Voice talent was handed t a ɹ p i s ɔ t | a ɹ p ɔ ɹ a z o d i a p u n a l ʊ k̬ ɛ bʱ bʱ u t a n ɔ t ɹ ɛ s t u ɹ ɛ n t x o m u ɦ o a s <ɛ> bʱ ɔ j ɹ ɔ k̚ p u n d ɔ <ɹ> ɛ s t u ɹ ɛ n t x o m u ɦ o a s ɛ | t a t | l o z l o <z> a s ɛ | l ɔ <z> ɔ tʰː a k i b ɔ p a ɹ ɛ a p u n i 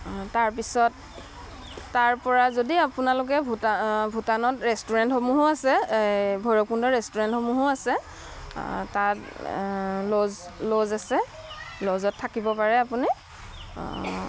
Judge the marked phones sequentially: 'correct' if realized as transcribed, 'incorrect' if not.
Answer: correct, correct, correct, correct

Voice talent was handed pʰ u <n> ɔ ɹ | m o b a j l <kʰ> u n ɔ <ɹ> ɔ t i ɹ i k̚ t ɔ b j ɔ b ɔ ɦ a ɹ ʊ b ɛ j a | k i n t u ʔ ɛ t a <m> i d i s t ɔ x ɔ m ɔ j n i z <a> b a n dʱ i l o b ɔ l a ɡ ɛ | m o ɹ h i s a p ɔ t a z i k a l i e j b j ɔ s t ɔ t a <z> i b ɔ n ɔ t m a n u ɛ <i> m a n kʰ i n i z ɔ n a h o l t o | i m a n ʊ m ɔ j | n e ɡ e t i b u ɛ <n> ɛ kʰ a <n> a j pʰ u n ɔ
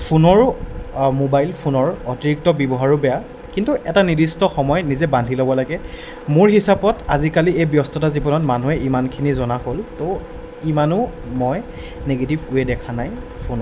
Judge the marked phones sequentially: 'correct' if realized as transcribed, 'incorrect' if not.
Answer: correct, incorrect: pʰ, correct, incorrect: n, incorrect: ɛ, correct, correct, incorrect: d, correct

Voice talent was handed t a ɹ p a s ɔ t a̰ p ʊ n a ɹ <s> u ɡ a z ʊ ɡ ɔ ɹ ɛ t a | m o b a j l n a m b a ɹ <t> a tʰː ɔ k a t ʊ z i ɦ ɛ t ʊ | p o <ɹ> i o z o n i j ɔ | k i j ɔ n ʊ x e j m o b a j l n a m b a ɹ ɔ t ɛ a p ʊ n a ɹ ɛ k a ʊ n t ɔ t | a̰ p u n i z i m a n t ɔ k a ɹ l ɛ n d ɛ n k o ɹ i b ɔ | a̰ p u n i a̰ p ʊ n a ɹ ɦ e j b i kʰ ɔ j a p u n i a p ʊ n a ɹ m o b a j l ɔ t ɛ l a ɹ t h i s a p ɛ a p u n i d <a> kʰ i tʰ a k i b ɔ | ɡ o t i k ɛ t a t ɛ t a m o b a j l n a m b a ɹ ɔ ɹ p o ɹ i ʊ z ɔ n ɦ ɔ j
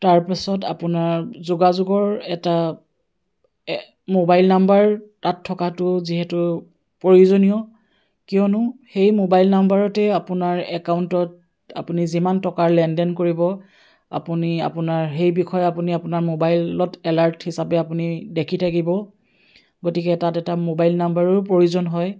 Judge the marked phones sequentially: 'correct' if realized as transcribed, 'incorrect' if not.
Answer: incorrect: z, correct, correct, incorrect: e

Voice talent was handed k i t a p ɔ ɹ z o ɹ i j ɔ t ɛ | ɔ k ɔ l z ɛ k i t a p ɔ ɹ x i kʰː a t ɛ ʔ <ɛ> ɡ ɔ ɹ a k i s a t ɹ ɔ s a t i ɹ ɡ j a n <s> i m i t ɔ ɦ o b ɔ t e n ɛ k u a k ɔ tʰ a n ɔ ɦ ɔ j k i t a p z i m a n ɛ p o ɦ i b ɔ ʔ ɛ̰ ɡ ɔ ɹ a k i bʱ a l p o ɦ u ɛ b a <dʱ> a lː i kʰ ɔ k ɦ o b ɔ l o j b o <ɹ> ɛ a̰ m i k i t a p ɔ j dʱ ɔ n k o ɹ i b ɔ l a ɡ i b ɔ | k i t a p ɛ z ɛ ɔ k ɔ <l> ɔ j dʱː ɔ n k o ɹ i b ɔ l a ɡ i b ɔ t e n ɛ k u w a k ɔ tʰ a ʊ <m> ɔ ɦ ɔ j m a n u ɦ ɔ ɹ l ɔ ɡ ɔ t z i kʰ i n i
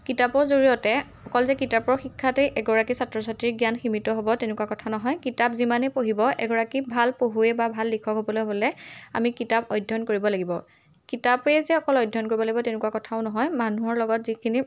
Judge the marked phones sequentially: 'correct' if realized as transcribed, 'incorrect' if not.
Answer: correct, incorrect: x, incorrect: bʱ, incorrect: l, correct, incorrect: n

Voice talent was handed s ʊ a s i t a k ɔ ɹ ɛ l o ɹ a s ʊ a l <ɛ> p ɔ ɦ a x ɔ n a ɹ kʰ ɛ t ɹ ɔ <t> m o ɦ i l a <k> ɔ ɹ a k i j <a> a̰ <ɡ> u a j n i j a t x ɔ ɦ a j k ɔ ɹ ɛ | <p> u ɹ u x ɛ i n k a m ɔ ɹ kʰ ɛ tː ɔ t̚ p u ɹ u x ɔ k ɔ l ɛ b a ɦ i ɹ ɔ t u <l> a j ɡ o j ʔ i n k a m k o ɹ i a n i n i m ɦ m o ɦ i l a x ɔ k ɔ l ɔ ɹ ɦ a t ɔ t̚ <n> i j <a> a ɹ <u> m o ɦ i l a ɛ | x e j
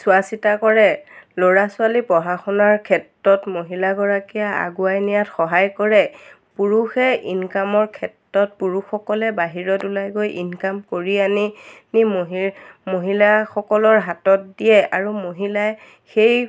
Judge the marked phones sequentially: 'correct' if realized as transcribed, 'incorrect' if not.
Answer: incorrect: i, correct, incorrect: ɡ, correct, correct, correct, correct, incorrect: d, incorrect: ɛ, correct

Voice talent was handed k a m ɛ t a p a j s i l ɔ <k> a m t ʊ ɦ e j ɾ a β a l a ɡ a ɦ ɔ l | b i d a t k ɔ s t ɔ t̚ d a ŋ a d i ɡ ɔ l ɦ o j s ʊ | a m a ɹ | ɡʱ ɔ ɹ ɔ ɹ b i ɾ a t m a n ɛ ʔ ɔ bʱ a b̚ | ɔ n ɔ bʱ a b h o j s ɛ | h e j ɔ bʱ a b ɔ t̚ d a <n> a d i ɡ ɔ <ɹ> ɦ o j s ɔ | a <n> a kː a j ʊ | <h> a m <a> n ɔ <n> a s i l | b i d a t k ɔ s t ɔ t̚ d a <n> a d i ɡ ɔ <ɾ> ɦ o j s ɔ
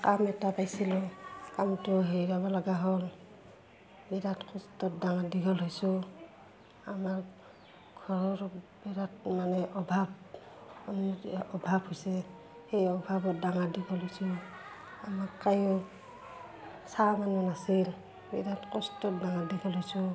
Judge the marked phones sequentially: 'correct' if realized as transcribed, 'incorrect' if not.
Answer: correct, incorrect: ŋ, incorrect: l, incorrect: m, incorrect: s, correct, correct, incorrect: ŋ, incorrect: l

